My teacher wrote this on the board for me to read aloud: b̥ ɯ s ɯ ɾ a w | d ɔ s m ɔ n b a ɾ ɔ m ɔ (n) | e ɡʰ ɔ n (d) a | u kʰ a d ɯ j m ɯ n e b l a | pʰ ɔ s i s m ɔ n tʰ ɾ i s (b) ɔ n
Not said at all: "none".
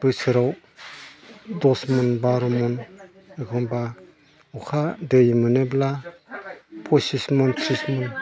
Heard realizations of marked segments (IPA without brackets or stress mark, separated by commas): n, b, m